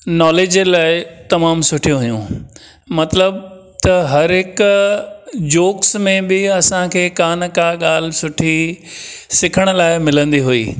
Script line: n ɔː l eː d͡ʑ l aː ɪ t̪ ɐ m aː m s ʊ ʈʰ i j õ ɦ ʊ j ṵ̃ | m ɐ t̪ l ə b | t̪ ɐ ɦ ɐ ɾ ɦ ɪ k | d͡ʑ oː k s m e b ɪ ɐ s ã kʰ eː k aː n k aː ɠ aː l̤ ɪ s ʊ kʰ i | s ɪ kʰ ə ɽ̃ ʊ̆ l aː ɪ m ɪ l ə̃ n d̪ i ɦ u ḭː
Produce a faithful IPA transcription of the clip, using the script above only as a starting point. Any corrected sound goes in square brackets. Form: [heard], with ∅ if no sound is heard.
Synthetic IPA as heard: n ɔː l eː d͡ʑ l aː ɪ t̪ ɐ m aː m s ʊ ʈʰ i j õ ɦ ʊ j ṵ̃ | m ɐ t̪ l ə b | t̪ ɐ ɦ ɐ ɾ ɦ ɪ k | d͡ʑ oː k s m [ẽ] b ɪ ɐ s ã kʰ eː k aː n k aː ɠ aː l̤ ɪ s ʊ [ʈʰ] i | s ɪ kʰ ə ɽ̃ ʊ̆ l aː ɪ m ɪ l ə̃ n d̪ i ɦ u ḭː

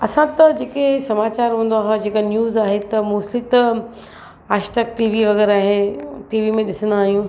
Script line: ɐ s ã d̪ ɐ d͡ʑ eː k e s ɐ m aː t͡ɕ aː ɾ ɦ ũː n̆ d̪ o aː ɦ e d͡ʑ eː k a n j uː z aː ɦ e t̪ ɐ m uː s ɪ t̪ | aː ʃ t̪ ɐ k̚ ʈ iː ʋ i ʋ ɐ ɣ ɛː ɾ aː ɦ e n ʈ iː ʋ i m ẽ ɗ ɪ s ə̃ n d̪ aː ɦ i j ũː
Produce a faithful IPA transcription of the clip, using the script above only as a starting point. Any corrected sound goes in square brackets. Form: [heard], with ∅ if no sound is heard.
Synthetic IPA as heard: ɐ s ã [t̪] ɐ d͡ʑ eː k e s ɐ m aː t͡ɕ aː ɾ ɦ ũː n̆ d̪ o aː ɦ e d͡ʑ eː k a n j uː z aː ɦ e t̪ ɐ m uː s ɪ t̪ | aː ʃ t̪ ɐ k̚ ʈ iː ʋ i ʋ ɐ ɣ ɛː ɾ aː ɦ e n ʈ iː ʋ i m ẽ ɗ ɪ s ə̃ n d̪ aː ɦ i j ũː

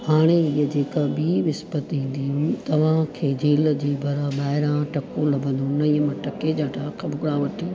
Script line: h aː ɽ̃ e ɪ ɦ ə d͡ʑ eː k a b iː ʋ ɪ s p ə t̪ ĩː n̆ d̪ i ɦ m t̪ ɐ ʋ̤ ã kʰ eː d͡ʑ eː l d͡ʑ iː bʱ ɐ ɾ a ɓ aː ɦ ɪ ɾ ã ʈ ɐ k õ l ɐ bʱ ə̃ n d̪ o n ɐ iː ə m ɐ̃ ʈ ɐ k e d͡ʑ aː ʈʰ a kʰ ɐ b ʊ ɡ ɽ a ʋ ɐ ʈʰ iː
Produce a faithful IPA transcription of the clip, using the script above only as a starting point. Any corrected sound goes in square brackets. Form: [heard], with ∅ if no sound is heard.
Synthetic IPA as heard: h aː ɽ̃ e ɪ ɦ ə d͡ʑ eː k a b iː ʋ ɪ s p ə t̪ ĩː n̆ d̪ i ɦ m t̪ ɐ ʋ̤ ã kʰ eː d͡ʑ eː l d͡ʑ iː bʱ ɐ ɾ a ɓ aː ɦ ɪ ɾ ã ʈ ɐ k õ l ɐ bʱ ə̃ n d̪ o n ɐ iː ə m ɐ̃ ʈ ɐ k e d͡ʑ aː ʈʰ a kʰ ɐ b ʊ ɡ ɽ a ʋ ɐ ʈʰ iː

